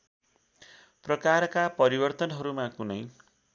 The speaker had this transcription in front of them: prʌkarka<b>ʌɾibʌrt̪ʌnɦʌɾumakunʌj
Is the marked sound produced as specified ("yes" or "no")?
no